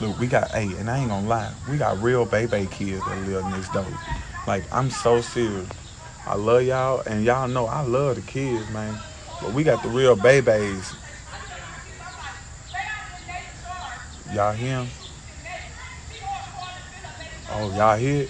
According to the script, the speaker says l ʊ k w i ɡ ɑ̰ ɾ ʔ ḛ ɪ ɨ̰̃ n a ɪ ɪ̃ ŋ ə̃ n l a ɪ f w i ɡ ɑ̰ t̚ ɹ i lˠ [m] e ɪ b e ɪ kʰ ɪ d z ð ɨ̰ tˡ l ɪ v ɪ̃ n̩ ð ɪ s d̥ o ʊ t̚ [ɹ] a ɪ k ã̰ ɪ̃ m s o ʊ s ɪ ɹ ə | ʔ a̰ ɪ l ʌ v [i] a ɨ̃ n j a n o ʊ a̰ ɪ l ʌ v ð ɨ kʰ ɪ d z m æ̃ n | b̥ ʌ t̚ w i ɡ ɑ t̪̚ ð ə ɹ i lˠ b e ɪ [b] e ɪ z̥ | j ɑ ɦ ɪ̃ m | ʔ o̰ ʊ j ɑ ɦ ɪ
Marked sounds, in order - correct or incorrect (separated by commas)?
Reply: incorrect, incorrect, incorrect, correct